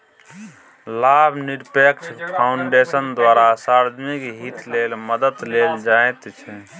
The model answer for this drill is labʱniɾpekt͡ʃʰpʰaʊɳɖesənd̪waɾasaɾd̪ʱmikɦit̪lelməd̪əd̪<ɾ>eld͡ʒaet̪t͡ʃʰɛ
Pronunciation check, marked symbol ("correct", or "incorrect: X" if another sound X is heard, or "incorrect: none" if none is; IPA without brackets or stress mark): incorrect: l